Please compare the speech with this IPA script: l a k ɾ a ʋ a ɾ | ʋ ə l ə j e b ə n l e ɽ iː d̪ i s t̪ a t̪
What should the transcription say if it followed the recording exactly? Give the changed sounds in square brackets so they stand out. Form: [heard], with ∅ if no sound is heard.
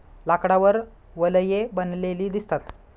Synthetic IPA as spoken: l a k [ɽ] a ʋ [ə] ɾ | ʋ ə l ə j e b ə n l e [l] iː d̪ i s t̪ a t̪